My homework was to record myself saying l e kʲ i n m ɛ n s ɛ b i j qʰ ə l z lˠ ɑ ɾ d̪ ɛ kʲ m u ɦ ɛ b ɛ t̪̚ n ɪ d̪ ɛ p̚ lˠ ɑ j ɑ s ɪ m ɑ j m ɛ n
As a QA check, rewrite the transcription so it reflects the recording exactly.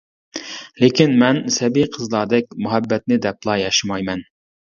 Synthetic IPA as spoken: l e kʲ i n m ɛ n s ɛ b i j qʰ ə z lˠ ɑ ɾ d̪ ɛ kʲ m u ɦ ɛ bː ɛ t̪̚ n ɪ d̪ ɛ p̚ lˠ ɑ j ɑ ʃ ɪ m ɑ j m ɛ n